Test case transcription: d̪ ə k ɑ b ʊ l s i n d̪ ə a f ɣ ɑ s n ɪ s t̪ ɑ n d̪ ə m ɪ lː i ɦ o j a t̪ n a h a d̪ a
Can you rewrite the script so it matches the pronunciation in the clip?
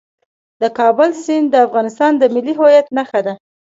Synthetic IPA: d̪ ə k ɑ b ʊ l s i n d̪ ə a f ɣ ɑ n ɪ s t̪ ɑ n d̪ ə m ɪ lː i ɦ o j a t̪ n a x a d̪ a